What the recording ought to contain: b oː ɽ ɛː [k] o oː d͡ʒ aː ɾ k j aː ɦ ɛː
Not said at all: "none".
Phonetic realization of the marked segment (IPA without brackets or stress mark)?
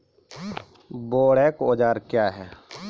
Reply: k